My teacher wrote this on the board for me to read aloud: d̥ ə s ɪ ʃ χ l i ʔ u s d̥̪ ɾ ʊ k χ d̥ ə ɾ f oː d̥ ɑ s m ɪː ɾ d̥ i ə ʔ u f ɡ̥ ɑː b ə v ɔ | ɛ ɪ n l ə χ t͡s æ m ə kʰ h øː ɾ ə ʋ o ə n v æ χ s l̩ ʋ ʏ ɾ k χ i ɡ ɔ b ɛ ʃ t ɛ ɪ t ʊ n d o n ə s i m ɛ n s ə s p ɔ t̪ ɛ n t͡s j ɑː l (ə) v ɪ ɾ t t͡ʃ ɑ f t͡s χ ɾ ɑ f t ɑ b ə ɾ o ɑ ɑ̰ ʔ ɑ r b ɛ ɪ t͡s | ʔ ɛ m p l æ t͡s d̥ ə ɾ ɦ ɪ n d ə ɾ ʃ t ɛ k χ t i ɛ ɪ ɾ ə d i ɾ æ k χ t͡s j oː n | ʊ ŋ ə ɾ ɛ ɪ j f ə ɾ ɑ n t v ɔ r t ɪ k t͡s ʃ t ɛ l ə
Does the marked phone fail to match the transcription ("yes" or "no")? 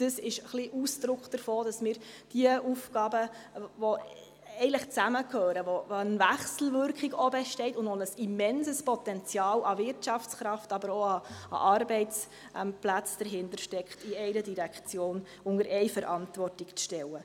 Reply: yes